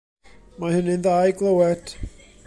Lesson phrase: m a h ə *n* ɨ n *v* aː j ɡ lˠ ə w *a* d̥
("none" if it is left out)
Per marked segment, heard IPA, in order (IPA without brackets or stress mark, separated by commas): n, ð, ɛ